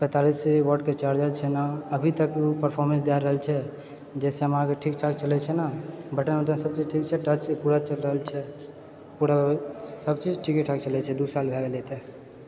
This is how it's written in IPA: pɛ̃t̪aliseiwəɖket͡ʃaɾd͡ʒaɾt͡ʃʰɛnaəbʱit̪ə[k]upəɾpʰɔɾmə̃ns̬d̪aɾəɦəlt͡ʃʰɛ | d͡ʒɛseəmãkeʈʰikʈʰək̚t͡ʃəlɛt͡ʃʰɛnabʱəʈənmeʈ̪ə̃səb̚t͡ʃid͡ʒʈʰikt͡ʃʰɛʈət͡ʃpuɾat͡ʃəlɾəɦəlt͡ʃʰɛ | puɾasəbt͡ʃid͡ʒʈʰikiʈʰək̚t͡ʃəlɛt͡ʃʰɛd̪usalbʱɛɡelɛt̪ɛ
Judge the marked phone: correct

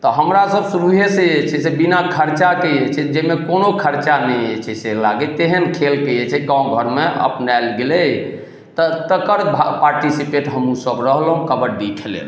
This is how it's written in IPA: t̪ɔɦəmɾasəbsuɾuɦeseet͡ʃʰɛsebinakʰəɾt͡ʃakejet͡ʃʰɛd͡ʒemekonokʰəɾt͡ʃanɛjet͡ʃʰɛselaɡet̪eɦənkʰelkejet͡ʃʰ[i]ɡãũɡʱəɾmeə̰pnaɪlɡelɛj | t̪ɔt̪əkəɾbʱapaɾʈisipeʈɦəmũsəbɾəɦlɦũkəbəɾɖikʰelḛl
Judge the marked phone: incorrect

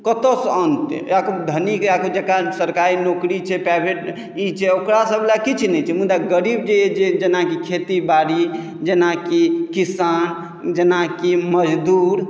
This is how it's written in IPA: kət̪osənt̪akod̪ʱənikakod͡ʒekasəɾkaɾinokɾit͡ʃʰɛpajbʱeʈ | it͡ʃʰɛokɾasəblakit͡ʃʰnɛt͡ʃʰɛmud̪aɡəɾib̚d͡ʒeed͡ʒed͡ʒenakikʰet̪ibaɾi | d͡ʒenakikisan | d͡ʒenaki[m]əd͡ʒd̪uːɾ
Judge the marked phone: correct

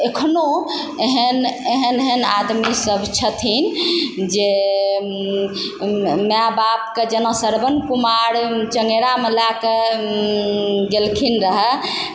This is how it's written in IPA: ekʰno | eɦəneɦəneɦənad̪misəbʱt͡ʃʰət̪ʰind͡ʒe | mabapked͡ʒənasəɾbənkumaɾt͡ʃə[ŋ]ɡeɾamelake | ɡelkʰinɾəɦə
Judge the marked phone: correct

